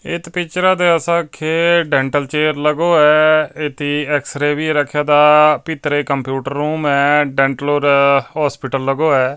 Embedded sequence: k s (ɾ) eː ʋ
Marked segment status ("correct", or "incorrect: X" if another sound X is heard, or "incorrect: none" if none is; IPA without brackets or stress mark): correct